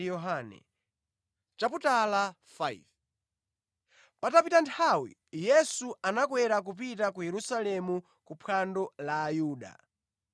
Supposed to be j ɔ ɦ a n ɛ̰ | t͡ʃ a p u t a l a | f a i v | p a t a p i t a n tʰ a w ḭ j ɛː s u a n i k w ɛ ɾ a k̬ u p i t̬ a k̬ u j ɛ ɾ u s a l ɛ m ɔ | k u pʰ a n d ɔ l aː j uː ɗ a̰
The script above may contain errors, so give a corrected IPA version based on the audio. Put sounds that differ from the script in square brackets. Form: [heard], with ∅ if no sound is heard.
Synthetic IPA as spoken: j ɔ ɦ a n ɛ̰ | t͡ʃ a p u t a l a | f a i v | p a t a p i t a n tʰ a w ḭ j [ɛ] s u a n [a] k w ɛ ɾ a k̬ u p i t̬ a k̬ u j ɛ ɾ u s a l ɛ m [u] | k u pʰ a n d ɔ l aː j uː ɗ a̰